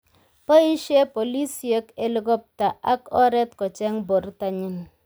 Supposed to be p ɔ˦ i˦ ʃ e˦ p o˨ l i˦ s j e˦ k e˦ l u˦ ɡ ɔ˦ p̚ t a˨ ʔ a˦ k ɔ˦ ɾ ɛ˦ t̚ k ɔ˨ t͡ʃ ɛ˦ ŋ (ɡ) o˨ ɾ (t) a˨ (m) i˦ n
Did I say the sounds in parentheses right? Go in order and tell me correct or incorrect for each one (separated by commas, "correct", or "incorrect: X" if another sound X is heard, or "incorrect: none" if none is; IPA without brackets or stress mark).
incorrect: b, correct, incorrect: ɲ